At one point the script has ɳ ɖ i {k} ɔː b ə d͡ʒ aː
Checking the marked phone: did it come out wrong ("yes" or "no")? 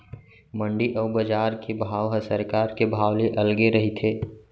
yes